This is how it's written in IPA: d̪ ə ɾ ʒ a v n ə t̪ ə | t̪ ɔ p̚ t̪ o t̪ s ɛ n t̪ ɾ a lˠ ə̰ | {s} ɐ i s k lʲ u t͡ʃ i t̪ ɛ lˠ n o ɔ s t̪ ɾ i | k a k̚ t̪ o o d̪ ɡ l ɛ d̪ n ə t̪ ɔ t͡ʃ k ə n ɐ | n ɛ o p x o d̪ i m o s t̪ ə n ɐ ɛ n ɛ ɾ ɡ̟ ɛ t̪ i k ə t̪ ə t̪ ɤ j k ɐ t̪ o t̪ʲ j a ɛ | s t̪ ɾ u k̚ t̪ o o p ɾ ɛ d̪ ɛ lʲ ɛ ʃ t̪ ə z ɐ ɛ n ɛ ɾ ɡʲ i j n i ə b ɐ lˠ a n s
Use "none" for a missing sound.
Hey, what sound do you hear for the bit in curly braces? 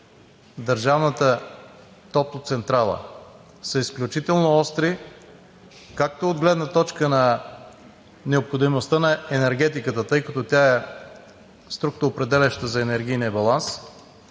s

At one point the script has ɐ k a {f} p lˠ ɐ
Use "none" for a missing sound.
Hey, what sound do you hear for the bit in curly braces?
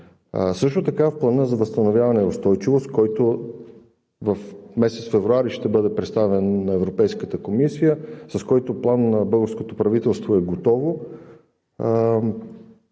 f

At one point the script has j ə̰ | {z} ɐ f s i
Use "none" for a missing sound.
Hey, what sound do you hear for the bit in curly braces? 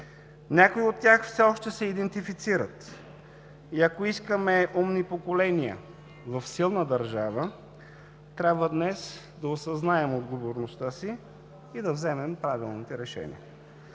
v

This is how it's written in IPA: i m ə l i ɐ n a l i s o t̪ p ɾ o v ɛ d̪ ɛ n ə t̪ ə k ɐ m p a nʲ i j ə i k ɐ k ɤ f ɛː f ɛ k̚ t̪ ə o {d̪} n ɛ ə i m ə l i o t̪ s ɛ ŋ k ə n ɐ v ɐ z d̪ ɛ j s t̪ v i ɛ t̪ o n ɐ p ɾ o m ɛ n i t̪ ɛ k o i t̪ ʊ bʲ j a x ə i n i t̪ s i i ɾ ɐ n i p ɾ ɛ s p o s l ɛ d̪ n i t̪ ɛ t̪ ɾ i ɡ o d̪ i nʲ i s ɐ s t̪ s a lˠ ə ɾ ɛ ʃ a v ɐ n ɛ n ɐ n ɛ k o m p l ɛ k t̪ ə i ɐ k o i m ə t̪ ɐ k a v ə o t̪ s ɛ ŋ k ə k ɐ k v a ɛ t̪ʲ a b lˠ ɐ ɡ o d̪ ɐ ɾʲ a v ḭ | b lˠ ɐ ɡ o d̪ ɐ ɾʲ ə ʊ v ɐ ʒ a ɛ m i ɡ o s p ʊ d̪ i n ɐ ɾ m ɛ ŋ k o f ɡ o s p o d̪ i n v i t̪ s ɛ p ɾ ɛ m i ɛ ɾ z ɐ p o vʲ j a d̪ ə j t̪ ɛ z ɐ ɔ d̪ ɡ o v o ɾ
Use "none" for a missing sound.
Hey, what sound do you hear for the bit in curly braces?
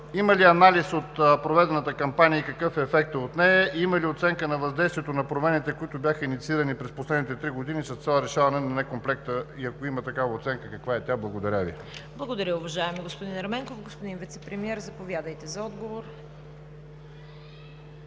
t̪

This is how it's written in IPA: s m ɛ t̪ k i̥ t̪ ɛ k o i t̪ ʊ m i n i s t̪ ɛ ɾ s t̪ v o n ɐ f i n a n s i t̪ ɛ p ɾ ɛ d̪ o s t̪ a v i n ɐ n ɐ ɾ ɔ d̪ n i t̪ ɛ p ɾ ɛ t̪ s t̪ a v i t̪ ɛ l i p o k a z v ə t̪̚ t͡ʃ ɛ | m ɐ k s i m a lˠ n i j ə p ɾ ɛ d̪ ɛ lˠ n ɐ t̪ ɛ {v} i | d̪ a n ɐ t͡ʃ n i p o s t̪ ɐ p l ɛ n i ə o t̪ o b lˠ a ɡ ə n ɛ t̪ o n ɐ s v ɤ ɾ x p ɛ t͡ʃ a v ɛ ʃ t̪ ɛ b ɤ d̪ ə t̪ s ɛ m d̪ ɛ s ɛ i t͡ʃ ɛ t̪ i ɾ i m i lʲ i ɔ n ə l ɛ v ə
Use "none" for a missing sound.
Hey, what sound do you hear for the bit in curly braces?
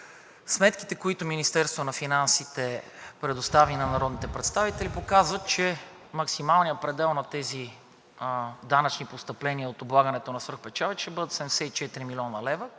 z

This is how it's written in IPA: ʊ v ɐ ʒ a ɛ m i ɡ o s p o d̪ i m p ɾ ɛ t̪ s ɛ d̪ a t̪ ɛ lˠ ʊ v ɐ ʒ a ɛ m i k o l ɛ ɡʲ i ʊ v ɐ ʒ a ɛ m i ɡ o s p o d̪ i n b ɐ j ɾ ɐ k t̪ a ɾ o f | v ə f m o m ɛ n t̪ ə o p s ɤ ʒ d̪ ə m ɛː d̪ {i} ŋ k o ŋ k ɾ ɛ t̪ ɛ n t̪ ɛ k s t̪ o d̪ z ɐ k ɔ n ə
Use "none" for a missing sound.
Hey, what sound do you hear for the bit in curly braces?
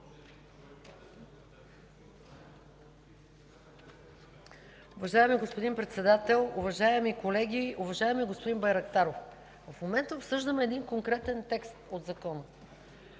i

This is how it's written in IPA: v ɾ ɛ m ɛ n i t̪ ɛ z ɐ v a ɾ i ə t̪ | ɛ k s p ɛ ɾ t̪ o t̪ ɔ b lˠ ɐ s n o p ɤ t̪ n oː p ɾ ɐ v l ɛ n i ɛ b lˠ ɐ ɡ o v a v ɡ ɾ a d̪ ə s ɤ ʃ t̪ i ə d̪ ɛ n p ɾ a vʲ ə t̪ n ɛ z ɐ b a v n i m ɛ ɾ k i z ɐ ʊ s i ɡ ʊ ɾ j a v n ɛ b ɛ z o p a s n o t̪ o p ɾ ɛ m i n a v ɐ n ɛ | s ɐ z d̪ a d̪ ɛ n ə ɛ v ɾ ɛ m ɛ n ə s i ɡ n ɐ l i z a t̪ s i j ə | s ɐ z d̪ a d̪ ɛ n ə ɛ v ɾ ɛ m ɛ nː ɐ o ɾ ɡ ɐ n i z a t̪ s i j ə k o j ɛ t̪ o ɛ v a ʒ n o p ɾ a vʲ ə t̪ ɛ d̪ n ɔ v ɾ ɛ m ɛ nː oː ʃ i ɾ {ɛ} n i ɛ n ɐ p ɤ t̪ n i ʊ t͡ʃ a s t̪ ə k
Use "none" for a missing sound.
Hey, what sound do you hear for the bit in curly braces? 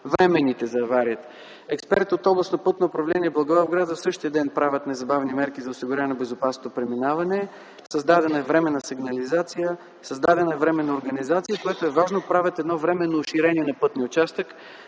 ɛ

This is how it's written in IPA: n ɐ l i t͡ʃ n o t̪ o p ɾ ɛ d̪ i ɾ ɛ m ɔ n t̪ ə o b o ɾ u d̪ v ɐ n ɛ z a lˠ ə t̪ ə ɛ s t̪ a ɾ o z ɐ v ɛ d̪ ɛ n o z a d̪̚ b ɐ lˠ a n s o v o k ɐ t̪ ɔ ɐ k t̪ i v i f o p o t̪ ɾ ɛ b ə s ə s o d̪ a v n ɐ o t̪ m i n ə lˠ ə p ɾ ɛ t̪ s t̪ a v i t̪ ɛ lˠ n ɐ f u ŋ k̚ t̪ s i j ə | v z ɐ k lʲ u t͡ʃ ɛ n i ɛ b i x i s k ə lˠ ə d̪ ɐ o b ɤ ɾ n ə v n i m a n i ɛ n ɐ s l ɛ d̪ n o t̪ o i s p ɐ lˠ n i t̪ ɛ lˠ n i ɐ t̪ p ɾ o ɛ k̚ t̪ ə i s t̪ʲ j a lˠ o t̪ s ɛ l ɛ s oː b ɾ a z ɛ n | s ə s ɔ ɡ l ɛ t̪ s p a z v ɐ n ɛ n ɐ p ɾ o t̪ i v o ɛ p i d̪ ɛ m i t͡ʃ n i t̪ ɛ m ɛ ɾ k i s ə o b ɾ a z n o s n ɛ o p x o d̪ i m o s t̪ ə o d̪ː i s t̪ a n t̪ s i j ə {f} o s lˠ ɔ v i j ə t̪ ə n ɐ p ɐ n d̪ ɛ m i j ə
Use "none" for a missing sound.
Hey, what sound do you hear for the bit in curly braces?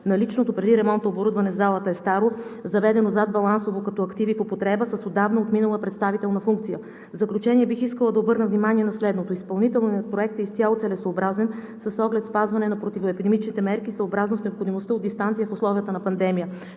f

